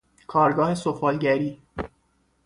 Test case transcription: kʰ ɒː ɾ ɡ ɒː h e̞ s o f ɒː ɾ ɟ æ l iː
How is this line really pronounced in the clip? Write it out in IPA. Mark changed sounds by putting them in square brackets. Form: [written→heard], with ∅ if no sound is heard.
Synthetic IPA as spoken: kʰ ɒː ɾ ɡ ɒː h e̞ s o f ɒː [ɾ→l] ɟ æ [l→ɾ] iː